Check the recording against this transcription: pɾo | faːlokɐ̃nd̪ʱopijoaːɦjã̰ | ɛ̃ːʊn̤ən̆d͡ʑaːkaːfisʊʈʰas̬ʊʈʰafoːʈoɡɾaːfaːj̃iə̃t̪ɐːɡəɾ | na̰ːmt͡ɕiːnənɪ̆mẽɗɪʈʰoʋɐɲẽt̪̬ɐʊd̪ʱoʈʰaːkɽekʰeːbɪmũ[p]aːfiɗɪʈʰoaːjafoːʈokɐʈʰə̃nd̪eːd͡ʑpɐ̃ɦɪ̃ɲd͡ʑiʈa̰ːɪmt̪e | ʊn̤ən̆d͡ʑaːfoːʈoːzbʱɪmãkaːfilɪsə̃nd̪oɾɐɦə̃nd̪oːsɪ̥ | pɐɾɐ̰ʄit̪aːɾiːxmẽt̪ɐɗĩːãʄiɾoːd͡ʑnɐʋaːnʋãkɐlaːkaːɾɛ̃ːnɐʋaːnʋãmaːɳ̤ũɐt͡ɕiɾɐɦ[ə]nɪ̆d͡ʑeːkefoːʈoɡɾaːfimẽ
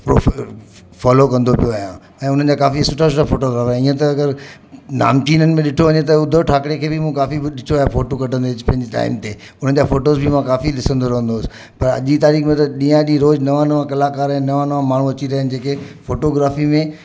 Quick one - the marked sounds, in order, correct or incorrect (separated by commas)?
incorrect, correct